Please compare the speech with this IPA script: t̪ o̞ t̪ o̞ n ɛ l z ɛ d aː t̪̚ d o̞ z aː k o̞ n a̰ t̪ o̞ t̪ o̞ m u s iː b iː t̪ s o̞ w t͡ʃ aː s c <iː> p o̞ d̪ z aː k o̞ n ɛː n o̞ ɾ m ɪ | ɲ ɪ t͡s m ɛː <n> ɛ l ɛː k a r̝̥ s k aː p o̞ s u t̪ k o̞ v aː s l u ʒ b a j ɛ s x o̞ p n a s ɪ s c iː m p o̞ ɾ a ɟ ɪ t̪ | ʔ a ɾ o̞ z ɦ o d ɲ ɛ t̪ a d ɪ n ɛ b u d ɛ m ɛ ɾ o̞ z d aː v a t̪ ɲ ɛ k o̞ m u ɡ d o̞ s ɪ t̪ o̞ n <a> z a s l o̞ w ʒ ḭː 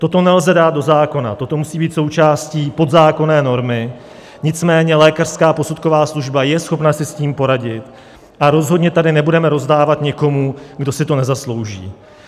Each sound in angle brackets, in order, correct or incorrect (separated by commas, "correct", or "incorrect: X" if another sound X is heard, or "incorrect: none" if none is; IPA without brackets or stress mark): correct, incorrect: ɲ, incorrect: ɛ